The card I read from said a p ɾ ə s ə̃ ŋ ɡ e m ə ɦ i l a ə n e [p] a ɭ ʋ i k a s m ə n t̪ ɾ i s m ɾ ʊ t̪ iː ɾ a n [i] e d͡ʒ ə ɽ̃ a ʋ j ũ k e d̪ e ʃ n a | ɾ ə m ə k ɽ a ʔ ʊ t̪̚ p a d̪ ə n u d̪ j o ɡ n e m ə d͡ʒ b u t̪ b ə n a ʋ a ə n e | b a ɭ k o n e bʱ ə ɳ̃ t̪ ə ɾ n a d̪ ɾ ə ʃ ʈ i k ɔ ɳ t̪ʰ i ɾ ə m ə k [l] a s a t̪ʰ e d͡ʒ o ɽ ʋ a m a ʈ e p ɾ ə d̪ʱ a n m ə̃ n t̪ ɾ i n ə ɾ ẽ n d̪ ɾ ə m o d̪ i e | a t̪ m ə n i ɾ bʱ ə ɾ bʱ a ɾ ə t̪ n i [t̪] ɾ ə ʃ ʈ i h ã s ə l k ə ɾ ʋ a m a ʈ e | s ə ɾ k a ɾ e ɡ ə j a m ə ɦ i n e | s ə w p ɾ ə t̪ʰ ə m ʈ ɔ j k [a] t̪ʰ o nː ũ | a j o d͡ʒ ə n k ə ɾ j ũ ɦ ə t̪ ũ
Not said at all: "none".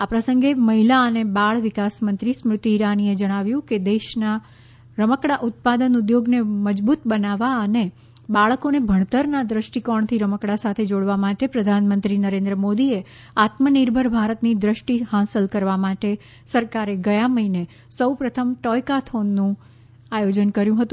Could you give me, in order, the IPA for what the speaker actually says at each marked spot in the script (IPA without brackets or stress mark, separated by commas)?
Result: b, i, ɽ, d̪, a